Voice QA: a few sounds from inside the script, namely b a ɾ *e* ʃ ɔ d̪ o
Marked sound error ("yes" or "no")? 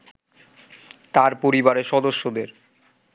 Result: no